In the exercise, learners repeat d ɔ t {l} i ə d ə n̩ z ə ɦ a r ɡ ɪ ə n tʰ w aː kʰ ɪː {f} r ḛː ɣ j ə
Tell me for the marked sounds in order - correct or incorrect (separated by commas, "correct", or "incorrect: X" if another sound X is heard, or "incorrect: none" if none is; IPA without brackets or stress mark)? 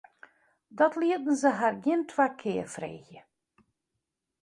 correct, correct